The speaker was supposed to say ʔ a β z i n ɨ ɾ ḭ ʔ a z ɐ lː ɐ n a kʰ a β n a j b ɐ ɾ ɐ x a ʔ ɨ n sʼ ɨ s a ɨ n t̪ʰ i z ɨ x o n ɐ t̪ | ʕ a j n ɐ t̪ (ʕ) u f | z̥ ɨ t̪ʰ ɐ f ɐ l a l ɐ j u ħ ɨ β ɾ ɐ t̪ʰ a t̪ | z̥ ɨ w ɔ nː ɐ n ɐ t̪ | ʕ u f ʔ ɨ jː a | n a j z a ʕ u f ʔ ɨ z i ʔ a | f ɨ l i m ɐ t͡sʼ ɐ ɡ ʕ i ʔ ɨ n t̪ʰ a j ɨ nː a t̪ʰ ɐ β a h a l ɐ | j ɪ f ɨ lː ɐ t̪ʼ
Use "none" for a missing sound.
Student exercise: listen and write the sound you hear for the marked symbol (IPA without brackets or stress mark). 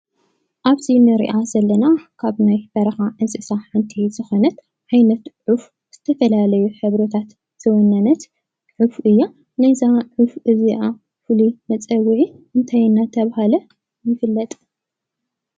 ʕ